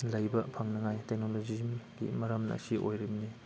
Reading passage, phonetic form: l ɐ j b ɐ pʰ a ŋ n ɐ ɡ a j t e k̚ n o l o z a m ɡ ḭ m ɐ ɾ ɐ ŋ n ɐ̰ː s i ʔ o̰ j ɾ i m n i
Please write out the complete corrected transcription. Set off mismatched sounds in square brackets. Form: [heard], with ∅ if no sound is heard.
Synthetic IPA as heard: l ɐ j b ɐ pʰ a ŋ n ɐ [ŋ] a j t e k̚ n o l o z [i] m ɡ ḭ m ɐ ɾ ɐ [m] n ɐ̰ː s i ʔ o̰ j ɾ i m n i